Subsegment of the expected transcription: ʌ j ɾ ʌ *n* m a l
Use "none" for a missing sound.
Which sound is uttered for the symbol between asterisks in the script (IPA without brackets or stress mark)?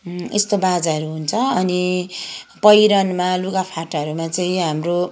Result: n